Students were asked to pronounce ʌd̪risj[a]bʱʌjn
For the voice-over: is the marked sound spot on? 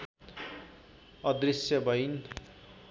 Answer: no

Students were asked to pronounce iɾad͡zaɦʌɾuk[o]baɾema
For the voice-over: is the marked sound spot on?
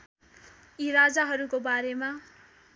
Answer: yes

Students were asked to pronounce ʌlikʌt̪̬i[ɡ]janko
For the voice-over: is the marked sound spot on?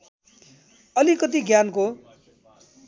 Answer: yes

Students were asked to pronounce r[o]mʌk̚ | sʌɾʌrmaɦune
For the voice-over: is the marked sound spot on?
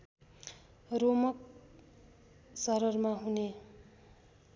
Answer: yes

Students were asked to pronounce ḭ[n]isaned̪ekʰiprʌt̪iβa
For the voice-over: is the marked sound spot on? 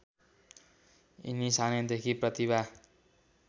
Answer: yes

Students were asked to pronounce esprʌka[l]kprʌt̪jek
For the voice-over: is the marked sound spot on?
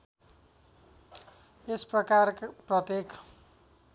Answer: no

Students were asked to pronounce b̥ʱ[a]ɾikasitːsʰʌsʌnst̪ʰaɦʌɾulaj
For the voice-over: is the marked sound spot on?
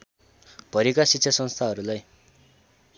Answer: no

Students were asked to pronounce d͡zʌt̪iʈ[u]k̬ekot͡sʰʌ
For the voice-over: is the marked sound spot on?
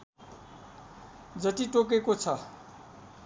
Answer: no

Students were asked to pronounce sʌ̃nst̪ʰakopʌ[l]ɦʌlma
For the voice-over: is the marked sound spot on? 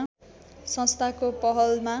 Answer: no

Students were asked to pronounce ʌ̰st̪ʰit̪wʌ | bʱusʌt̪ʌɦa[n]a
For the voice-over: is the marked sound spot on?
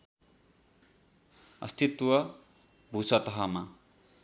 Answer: no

